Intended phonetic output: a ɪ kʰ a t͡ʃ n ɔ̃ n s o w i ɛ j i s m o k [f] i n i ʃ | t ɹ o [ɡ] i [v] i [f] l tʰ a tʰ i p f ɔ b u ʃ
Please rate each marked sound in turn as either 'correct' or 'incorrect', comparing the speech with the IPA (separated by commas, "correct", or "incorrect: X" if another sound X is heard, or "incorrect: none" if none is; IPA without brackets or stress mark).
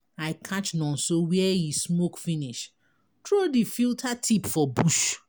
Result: correct, incorrect: d, incorrect: f, incorrect: none